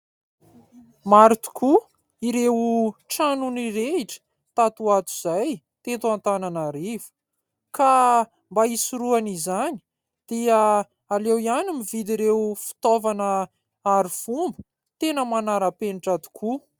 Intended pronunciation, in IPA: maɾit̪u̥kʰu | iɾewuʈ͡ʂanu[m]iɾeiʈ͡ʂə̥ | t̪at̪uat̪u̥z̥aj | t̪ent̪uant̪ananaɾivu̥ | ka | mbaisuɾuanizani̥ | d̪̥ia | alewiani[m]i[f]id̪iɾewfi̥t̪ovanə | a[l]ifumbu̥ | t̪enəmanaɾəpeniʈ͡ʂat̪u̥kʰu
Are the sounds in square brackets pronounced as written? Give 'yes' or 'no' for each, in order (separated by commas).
no, yes, no, no